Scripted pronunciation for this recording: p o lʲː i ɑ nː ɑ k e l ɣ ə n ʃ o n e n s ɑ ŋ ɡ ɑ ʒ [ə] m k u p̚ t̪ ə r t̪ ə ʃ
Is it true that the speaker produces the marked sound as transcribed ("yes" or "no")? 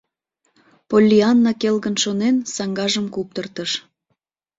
yes